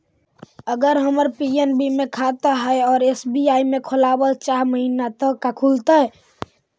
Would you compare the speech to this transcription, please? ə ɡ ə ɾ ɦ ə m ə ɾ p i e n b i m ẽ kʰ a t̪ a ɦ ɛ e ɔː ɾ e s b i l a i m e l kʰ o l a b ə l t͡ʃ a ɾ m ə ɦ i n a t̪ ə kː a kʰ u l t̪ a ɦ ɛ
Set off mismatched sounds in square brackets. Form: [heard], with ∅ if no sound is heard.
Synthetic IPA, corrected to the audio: ə ɡ ə ɾ ɦ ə m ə ɾ p i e n b i m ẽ kʰ a t̪ a ɦ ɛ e ɔː ɾ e s b i [∅] a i m e [∅] kʰ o l a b ə l t͡ʃ a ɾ m ə ɦ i n a t̪ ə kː a kʰ u l t̪ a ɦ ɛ